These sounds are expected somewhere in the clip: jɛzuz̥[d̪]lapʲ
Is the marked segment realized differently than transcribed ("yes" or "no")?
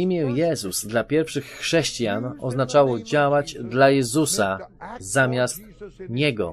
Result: no